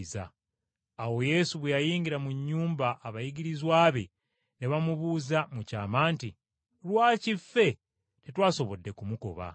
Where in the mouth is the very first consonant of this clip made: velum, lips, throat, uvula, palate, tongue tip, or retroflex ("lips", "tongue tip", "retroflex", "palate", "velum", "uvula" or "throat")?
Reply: tongue tip